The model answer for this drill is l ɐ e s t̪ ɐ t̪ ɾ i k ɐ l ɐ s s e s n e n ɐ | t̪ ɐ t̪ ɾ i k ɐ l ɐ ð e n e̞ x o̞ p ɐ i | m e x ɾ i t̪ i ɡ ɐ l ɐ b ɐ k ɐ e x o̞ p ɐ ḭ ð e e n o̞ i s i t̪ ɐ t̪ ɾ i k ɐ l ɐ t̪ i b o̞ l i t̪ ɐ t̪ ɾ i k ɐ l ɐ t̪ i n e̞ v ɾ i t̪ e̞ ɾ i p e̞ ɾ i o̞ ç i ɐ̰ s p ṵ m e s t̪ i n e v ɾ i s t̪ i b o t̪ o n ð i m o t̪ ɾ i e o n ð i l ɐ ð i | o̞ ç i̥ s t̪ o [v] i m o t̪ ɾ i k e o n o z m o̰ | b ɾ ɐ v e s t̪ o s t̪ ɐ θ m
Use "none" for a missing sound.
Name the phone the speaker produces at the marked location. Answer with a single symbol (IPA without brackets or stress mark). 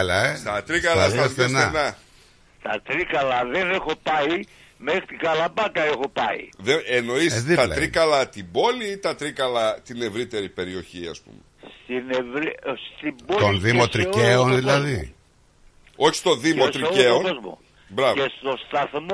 ð